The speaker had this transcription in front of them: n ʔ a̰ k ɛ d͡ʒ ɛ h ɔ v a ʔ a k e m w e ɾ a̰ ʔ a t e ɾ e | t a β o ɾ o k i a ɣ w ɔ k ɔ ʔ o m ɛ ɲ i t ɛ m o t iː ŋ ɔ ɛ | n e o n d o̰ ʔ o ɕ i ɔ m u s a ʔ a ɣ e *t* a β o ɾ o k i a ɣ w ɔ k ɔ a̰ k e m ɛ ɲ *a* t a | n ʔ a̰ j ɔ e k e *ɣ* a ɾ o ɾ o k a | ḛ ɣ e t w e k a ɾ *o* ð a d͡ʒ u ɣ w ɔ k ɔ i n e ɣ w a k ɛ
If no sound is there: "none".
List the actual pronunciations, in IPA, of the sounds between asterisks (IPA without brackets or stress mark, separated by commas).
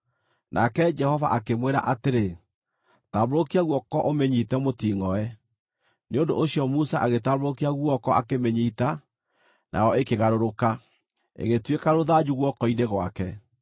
t, i, ɣ, o